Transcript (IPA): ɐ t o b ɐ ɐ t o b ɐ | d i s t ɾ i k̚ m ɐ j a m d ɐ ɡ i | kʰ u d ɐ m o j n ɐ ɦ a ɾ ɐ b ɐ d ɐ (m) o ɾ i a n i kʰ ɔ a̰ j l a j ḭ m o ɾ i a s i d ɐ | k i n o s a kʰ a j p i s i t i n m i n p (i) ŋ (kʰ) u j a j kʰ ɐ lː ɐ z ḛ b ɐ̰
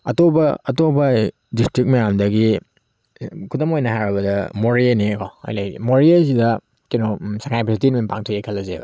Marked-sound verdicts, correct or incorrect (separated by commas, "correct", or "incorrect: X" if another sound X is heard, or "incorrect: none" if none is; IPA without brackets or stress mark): correct, incorrect: a, incorrect: tʰ